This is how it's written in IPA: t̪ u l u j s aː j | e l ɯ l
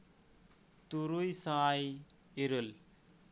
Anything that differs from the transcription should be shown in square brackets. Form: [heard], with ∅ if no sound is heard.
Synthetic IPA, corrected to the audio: t̪ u [ɾ] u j s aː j | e [ɾ] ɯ l